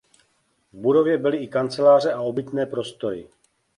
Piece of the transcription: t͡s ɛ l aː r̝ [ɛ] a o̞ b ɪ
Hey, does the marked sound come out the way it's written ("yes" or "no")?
yes